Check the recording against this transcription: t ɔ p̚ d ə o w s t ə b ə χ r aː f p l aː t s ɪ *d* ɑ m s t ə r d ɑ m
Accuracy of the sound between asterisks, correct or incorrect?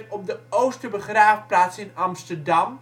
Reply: incorrect: n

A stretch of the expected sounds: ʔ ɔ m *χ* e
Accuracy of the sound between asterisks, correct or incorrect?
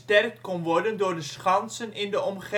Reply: correct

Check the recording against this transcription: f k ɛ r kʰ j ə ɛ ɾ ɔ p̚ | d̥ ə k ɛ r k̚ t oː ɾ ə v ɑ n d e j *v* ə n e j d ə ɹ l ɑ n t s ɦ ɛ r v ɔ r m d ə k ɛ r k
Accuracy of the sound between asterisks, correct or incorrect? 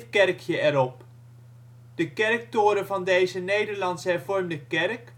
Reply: incorrect: z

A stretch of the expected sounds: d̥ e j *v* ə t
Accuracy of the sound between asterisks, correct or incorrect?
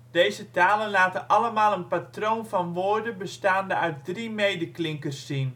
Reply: incorrect: z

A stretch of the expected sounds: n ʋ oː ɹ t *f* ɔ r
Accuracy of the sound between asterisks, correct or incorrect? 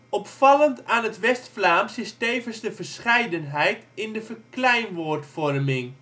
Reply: correct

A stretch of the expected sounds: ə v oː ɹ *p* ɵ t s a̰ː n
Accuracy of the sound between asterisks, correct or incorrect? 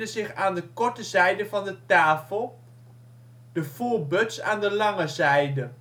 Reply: incorrect: b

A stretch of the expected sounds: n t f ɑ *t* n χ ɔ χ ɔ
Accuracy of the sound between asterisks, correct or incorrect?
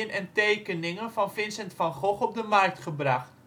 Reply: incorrect: none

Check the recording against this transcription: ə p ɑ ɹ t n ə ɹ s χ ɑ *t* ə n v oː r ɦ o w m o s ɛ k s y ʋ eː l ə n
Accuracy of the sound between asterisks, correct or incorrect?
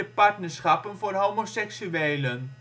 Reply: incorrect: p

